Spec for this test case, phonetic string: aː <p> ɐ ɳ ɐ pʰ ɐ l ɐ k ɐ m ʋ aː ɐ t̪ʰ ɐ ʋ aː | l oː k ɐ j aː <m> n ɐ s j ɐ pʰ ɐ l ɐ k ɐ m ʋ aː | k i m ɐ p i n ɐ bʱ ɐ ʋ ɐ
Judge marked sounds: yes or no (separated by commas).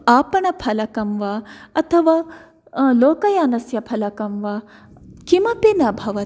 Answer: yes, no